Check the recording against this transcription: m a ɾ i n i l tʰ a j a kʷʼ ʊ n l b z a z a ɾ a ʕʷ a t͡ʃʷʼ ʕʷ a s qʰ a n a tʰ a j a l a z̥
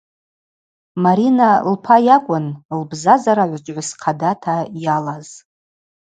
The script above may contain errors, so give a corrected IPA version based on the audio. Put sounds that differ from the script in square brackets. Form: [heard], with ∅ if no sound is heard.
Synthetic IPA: m a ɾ i n [a] l [pʰ] a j a kʷʼ ʊ n l b z a z a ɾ a ʕʷ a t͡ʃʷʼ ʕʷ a s qʰ a [d] a tʰ a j a l a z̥